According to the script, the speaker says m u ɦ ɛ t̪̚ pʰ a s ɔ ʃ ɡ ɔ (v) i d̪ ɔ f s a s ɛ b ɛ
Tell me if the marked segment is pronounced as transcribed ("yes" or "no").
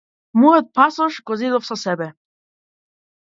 no